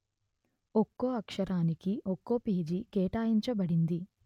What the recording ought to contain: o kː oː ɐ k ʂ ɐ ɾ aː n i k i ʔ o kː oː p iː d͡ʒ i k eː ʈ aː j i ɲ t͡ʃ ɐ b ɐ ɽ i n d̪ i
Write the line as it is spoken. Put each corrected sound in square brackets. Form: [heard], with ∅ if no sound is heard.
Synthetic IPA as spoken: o kː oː ɐ k ʂ ɐ ɾ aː n i k i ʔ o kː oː p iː d͡ʒ i k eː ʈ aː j i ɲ t͡ʃ ɐ b ɐ ɽ i n d̪ i